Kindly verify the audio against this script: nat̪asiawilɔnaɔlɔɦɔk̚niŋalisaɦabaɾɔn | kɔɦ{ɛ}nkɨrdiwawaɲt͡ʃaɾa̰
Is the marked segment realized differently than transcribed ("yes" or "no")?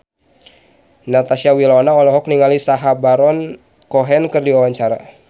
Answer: no